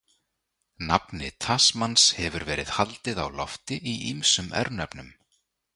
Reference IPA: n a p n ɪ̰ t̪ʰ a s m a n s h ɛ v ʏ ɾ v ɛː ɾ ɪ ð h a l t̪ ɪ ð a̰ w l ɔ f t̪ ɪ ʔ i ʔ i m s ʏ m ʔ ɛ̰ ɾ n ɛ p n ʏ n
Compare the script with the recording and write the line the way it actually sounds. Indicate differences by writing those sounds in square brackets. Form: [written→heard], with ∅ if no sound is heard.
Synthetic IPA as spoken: n a p n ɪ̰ t̪ʰ a s m a n s h ɛ v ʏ ɾ v ɛː ɾ ɪ ð h a l t̪ ɪ ð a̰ w l ɔ f t̪ ɪ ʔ i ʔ i m s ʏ m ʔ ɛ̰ ɾ n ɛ p n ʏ [n→m]